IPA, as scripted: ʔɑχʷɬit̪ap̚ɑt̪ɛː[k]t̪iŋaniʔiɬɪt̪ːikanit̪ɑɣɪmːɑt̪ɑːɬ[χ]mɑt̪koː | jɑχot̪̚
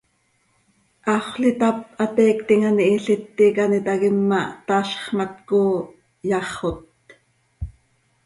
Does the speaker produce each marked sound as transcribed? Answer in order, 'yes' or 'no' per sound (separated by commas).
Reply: yes, yes